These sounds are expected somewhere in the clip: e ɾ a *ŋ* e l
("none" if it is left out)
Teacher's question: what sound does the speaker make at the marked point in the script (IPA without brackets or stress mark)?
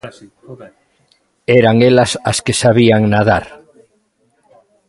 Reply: ŋ